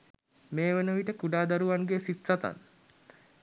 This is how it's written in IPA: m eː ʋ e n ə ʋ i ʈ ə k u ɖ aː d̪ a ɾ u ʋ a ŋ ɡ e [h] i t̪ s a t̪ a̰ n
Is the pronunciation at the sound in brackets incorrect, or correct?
incorrect